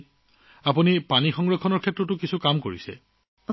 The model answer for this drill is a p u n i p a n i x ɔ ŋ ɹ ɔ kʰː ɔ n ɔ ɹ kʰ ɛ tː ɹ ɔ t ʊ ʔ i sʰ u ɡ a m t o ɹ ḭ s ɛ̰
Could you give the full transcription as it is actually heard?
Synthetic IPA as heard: a p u n i p a n i x ɔ ŋ ɹ ɔ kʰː ɔ n ɔ ɹ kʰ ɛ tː ɹ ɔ t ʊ k i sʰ u k a m k o ɹ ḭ s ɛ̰